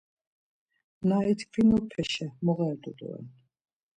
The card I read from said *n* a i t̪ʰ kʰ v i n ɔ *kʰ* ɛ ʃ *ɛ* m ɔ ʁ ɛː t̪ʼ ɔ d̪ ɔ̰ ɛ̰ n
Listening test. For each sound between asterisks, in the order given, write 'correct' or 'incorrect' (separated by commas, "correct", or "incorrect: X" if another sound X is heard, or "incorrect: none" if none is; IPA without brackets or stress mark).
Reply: correct, incorrect: pʰ, correct